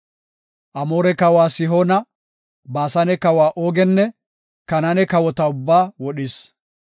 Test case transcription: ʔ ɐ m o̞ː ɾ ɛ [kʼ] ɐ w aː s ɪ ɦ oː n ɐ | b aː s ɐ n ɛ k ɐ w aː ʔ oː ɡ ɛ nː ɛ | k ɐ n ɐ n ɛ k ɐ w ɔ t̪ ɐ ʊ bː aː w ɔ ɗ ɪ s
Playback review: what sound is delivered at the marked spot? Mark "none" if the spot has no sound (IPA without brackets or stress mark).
k